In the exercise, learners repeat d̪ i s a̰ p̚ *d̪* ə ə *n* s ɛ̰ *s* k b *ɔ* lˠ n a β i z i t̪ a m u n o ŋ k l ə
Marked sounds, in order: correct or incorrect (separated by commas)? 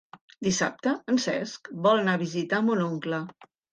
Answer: incorrect, correct, correct, correct